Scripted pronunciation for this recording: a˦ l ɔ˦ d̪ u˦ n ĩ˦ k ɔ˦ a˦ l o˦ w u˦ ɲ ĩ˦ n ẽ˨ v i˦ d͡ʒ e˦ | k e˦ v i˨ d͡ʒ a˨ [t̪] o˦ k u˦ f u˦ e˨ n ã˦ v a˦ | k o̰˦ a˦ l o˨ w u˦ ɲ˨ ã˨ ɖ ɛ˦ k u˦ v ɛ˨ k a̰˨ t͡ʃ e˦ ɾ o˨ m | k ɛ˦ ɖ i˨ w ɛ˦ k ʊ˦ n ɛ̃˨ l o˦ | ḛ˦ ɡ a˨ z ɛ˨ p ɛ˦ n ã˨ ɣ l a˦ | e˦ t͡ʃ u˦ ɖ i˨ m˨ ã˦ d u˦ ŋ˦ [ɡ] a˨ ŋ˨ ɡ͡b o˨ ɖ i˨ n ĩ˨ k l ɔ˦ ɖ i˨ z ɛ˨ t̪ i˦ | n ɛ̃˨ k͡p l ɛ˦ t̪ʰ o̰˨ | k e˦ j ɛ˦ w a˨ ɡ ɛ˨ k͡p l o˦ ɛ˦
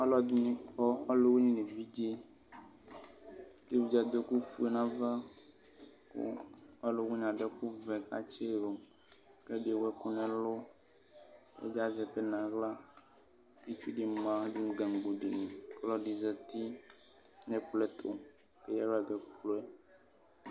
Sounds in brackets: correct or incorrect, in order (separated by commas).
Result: incorrect, correct